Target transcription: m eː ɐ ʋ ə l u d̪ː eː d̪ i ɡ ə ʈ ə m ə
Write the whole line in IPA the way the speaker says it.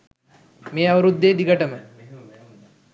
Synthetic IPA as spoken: m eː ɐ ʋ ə ɾ u d̪ː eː d̪ i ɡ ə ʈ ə m ə